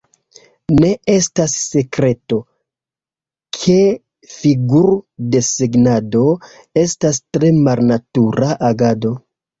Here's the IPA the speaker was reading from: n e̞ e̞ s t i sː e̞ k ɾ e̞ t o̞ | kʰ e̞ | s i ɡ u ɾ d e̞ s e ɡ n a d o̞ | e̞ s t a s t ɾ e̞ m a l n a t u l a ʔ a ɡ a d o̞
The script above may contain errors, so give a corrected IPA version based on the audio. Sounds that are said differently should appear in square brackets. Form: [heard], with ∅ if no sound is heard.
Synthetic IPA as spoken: n e̞ e̞ s t [a] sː e̞ k ɾ e̞ t o̞ | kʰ e̞ | [f] i ɡ u ɾ d e̞ s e ɡ n a d o̞ | e̞ s t a s t ɾ e̞ m a l n a t u [ɾ] a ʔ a ɡ a d o̞